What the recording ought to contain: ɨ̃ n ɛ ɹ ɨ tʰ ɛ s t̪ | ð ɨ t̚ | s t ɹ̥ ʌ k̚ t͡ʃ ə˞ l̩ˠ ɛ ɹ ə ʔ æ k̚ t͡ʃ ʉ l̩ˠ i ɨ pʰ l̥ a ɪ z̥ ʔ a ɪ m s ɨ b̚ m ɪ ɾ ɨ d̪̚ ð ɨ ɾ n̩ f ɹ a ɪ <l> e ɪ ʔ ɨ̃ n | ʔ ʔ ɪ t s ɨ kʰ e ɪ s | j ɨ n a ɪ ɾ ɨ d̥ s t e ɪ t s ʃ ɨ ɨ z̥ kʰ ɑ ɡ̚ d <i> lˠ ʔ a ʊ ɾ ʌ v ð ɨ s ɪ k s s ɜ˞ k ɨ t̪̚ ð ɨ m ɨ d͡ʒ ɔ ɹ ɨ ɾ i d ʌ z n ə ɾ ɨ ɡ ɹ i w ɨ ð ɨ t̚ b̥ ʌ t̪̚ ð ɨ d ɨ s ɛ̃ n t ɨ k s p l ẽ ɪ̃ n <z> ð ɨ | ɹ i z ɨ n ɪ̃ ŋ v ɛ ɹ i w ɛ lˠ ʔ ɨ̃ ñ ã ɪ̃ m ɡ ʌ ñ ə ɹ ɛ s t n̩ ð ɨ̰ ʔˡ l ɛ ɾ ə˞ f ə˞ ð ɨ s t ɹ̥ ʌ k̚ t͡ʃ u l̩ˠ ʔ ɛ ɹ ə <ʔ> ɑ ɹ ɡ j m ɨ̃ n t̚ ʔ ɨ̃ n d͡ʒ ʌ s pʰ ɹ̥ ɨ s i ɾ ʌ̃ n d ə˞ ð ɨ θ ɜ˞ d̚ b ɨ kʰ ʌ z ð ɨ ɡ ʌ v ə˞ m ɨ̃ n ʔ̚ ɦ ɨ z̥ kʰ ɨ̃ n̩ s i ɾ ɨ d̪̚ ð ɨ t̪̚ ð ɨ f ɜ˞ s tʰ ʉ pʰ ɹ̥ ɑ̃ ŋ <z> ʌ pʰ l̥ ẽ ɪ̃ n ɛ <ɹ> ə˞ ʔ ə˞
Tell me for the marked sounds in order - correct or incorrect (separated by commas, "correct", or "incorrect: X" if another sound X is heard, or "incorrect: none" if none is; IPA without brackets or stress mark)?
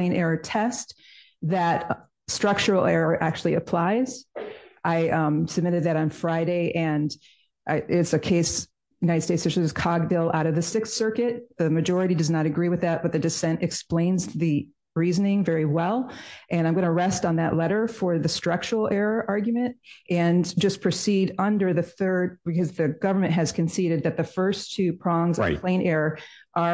incorrect: ɾ, incorrect: ɪ, correct, correct, correct, correct